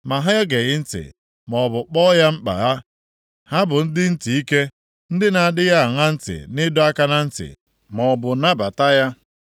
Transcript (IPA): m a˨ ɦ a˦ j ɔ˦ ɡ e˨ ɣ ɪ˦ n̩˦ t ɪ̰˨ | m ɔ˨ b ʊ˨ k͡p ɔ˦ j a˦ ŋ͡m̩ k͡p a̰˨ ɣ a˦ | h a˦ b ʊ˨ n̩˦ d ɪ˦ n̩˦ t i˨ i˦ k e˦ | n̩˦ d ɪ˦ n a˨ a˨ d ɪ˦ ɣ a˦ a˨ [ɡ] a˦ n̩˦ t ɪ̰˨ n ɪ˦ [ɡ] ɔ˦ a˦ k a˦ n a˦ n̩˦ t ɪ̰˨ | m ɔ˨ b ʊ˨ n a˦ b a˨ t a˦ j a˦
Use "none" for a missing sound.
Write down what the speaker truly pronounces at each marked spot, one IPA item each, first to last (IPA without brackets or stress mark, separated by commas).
ŋ, d